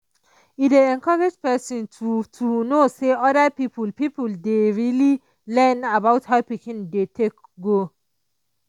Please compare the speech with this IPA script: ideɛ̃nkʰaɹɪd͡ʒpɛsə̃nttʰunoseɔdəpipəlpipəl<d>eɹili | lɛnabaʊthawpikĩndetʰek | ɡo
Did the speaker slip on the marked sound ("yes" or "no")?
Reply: no